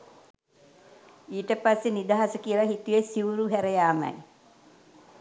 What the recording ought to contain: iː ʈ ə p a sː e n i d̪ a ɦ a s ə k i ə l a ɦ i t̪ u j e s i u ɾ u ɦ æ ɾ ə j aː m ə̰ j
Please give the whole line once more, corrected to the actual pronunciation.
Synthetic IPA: iː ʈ ə p a sː e n i d̪ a ɦ a s ə k i ə l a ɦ i t̪ u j e s i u ɾ u ɦ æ ɾ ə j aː m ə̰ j